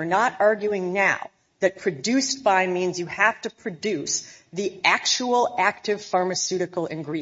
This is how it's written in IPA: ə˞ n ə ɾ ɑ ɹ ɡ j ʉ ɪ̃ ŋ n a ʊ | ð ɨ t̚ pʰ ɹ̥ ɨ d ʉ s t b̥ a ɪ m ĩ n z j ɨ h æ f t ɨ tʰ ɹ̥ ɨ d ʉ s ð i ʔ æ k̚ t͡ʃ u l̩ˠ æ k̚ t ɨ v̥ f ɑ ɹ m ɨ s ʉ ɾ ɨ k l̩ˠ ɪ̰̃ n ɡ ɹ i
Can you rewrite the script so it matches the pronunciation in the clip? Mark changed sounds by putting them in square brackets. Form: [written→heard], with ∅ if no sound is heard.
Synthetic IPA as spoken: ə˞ n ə ɾ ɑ ɹ ɡ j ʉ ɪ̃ ŋ n a ʊ | ð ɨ t̚ pʰ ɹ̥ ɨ d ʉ s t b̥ a ɪ m ĩ n z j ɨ h æ f t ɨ [tʰ→pʰ] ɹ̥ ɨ d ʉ s ð i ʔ æ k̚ t͡ʃ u l̩ˠ æ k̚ t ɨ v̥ f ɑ ɹ m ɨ s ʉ ɾ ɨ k l̩ˠ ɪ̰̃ n ɡ ɹ i